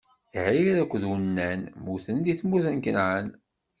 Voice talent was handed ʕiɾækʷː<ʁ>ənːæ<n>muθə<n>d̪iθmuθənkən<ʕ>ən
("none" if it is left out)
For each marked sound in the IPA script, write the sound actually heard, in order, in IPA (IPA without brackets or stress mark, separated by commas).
ð, n, n, ʕ